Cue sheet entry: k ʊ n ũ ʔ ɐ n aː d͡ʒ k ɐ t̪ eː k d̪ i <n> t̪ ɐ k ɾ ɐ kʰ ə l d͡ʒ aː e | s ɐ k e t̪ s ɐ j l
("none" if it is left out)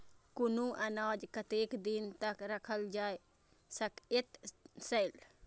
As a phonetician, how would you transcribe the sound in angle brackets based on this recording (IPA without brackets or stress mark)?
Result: n